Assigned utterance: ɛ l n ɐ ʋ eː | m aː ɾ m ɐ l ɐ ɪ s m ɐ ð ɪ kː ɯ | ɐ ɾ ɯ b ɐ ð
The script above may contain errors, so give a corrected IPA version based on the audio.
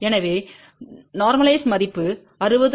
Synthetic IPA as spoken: ɛ n ɐ ʋ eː | n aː ɾ m ɐ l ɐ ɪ s m ɐ ð ɪ pː ɯ | ɐ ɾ ɯ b ɐ ð

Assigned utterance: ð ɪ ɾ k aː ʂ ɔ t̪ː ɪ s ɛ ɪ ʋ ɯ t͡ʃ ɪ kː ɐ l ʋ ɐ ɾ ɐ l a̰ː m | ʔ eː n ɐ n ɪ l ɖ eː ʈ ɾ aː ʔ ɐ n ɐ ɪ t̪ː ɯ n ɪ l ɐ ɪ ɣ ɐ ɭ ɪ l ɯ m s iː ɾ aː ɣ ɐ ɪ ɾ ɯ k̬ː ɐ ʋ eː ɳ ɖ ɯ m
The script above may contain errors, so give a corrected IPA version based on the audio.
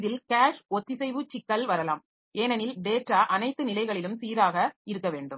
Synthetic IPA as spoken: ð ɪ l k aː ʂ ɔ t̪ː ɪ s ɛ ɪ ʋ ɯ t͡ʃ ɪ kː ɐ l ʋ ɐ ɾ ɐ l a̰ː m | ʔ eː n ɐ n ɪ l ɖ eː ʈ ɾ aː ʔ ɐ n ɐ ɪ t̪ː ɯ n ɪ l ɐ ɪ ɣ ɐ ɭ ɪ l ɯ m s iː ɾ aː ɣ ɐ ɪ ɾ ɯ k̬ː ɐ ʋ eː ɳ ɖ ɯ m

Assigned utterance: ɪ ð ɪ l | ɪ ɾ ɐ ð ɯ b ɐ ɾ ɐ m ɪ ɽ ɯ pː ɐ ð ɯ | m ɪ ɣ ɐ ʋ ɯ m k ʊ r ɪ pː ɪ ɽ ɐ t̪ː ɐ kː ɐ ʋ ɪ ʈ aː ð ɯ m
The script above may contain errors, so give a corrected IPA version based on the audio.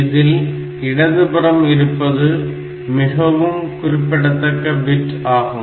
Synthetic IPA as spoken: ɪ ð ɪ l | ɪ ɽ ɐ ð ɯ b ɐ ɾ ɐ m ɪ ɾ ɯ pː ɐ ð ɯ | m ɪ ɣ ɐ ʋ ɯ m k ʊ r ɪ pː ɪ ɽ ɐ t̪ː ɐ kː ɐ ʋ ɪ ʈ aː ɣ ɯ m

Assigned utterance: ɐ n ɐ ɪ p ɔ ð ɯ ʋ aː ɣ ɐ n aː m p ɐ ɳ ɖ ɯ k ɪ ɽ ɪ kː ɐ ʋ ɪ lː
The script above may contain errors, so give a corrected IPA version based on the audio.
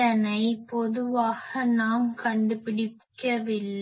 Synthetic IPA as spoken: ɐ n ɐ ɪ p ɔ ð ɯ ʋ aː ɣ ɐ n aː m k ɐ ɳ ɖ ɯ p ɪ ɽ ɪ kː ɐ ʋ ɪ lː

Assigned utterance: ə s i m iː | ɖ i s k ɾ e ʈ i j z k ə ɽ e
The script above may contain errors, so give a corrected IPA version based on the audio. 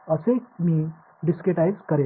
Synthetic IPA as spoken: ə s e m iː | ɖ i s k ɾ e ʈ a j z k ə ɾ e

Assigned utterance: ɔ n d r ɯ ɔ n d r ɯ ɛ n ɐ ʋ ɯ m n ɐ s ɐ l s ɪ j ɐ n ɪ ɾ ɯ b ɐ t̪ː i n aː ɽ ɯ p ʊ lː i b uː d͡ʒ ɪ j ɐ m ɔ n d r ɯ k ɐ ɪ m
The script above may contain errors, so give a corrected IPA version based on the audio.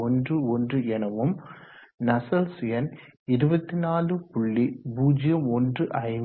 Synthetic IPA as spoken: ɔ n d r ɯ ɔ n d r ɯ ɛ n ɐ ʋ ɯ m n ɐ s ɐ l s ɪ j ɐ n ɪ ɾ ɯ b ɐ t̪ː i n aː l ɯ p ʊ ɭː i b uː d͡ʒ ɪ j ɐ m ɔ n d r ɯ ʔ ɐ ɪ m

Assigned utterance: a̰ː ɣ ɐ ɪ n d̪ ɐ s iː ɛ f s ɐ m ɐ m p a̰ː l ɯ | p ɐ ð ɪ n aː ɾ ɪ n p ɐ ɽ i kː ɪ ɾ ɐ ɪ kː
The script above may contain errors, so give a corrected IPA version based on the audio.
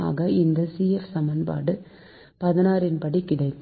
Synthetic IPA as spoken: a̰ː ɣ ɐ ɪ n d̪ ɐ s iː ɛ f s ɐ m ɐ n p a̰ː ɽ ɯ | p ɐ ð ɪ n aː ɾ ɪ n p ɐ ɽ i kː ɪ ɽ ɐ ɪ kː

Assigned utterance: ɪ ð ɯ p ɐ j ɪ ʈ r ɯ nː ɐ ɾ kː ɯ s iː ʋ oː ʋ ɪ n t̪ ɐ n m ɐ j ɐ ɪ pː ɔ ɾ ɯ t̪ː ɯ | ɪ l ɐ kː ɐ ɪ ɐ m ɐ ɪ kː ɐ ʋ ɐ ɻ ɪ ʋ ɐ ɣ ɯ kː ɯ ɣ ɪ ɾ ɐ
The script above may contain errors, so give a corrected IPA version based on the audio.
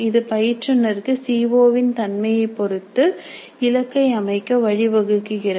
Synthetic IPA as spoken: ɪ ð ɯ p ɐ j ɪ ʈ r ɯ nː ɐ ɾ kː ɯ s iː ʋ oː ʋ ɪ n t̪ ɐ n m ɐ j ɐ ɪ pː ɔ ɾ ɯ t̪ː ɯ | ɪ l ɐ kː ɐ ɪ ɐ m ɐ ɪ kː ɐ ʋ ɐ ɻ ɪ ʋ ɐ ɣ ɯ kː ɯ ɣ ɪ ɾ ɐ

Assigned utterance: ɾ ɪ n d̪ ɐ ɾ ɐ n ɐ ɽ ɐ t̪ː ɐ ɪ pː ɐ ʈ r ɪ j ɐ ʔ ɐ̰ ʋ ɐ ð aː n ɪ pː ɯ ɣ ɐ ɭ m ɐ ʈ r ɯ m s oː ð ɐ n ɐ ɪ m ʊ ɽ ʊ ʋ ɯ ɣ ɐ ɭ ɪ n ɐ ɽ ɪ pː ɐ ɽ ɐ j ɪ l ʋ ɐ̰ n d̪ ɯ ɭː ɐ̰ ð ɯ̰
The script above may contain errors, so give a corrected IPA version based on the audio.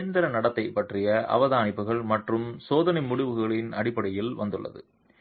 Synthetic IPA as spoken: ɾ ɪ n d̪ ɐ ɾ ɐ n ɐ ɽ ɐ t̪ː ɐ ɪ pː ɐ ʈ r ɪ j ɐ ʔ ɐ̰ ʋ ɐ ð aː n ɪ pː ɯ ɣ ɐ ɭ m ɐ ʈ r ɯ m s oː ð ɐ n ɐ ɪ m ʊ ɽ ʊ ʋ ɯ ɣ ɐ ɭ ɪ n ɐ ɽ ɪ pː ɐ ɽ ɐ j ɪ l ʋ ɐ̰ n d̪ ɯ ɭː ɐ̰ ð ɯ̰

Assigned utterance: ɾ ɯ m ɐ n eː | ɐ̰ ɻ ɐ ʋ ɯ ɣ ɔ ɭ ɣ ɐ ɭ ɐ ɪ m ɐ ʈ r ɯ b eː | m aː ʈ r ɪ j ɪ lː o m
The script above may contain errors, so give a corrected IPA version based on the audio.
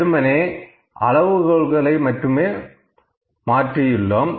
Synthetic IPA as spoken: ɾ ɯ m ɐ n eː | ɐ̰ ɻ ɐ ʋ ɯ ɣ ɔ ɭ ɣ ɐ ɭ ɐ ɪ m ɐ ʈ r ɯ m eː | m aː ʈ r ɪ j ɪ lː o m

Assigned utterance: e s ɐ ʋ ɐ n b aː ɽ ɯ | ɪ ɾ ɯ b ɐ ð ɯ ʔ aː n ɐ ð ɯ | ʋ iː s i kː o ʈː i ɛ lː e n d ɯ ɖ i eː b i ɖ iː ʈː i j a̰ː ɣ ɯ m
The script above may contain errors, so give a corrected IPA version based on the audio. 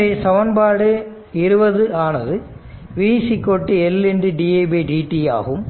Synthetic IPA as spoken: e s ɐ ʋ ɐ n b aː ɽ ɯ | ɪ ɾ ɯ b ɐ ð ɯ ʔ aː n ɐ ð ɯ | ʋ iː s i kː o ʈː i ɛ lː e n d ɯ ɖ i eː b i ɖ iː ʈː i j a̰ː ɣ ɯ m

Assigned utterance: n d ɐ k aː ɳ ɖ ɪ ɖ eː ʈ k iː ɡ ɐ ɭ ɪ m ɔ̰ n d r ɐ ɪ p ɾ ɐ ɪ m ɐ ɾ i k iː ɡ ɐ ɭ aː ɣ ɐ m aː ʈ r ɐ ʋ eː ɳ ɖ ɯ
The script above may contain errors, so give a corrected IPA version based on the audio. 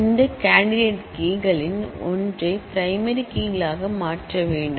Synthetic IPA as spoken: n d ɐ k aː ɳ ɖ ɪ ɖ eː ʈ k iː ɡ ɐ ɭ ɪ n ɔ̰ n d r ɐ ɪ p ɾ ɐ ɪ m ɐ ɾ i k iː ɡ ɐ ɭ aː ɣ ɐ m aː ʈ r ɐ ʋ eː ɳ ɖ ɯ

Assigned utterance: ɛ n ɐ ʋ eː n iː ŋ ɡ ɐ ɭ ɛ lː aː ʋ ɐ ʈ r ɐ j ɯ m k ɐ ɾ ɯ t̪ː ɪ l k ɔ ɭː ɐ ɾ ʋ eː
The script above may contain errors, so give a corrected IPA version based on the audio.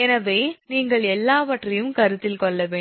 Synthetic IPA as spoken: ɛ n ɐ ʋ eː n iː ŋ ɡ ɐ ɭ ɛ lː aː ʋ ɐ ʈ r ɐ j ɯ m k ɐ ɾ ɯ t̪ː ɪ l k ɔ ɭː ɐ ʋ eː

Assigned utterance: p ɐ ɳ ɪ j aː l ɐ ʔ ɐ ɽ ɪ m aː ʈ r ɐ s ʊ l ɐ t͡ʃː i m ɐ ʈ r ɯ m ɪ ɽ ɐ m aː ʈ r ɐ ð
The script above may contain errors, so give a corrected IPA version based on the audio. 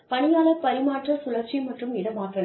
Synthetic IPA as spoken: p ɐ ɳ ɪ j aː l ɐ p ɐ ɾ ɪ m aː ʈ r ɐ s ʊ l ɐ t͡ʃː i m ɐ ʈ r ɯ m ɪ ɽ ɐ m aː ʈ r ɐ ð

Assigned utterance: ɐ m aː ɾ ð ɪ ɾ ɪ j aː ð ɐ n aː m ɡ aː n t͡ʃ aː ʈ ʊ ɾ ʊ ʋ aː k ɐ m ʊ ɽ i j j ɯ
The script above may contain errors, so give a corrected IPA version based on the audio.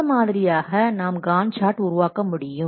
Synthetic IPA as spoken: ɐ m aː ð ɪ ɾ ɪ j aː ɣ ɐ n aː m ɡ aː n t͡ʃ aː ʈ ʊ ɾ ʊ ʋ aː k ɐ m ʊ ɽ ɪ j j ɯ

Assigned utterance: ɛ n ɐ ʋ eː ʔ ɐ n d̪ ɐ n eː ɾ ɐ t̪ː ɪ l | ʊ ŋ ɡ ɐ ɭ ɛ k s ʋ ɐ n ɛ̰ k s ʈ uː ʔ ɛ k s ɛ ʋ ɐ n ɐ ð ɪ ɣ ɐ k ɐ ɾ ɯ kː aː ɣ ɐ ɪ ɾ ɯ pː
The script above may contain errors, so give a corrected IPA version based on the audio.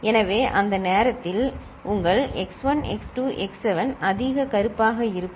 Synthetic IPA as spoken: ɛ n ɐ ʋ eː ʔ ɐ n d̪ ɐ n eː ɾ ɐ t̪ː ɪ l | ʊ ŋ ɡ ɐ ɭ ɛ k s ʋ ɐ n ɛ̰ k s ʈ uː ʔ ɛ k s ɛ ʋ ɐ n ɐ ð ɪ ɣ ɐ k ɐ ɾ ɯ pː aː ɣ ɐ ɪ ɾ ɯ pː

